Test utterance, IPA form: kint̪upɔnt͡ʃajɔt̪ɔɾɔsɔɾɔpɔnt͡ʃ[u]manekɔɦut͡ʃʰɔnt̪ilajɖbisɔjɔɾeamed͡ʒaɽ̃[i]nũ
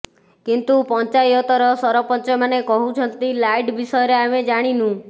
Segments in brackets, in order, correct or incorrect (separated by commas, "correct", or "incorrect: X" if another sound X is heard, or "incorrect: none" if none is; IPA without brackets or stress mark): incorrect: ɔ, correct